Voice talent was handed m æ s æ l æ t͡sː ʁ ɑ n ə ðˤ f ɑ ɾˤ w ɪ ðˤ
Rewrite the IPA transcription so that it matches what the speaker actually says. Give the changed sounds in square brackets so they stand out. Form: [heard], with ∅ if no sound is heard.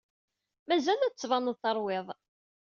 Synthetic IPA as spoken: m æ [z] æ l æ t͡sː [v] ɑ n ə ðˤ [θ] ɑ ɾˤ w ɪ ðˤ